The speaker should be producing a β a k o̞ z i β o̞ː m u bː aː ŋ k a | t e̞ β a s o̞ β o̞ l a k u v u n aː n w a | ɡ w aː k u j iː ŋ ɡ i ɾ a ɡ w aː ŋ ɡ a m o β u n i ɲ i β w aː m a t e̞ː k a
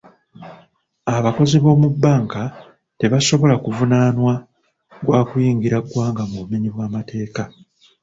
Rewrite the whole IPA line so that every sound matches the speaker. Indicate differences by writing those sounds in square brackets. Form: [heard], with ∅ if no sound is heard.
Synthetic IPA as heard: a β a k o̞ z i β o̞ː m u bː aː ŋ k a | t e̞ β a s o̞ β o̞ l a k u v u n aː n w a | ɡ w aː k u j iː ŋ ɡ i ɾ a ɡ w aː ŋ ɡ a m [u] β u [m] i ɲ i β w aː m a t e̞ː k a